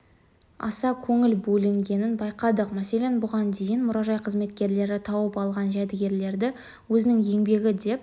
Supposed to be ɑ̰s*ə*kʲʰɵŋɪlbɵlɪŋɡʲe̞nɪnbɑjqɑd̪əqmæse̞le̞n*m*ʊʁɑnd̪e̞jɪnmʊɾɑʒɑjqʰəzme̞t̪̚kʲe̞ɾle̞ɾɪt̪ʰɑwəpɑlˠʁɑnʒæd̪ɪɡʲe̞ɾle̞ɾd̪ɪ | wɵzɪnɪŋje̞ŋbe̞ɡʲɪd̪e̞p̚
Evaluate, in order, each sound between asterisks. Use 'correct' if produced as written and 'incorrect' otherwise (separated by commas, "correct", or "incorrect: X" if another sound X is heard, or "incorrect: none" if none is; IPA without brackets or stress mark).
incorrect: ɑ, incorrect: b